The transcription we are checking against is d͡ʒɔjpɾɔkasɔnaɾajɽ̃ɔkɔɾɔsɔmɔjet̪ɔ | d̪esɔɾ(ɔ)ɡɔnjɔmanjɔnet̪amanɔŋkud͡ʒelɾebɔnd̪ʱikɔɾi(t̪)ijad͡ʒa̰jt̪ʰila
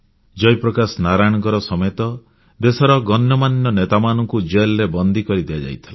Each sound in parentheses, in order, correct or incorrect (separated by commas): correct, incorrect